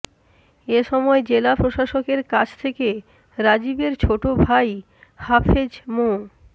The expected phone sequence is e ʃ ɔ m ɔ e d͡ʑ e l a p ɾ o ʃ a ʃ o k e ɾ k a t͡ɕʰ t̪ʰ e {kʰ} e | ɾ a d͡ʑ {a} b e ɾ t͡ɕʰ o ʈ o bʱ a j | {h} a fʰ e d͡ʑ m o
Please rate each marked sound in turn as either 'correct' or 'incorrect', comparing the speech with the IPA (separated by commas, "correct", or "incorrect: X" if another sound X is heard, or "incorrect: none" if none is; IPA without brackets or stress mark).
incorrect: k, incorrect: i, correct